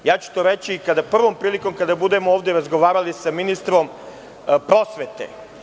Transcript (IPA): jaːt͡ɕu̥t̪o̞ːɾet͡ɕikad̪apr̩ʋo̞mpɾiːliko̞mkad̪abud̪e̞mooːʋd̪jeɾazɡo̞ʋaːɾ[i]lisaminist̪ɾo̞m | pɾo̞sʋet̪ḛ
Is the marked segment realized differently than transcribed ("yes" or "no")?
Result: yes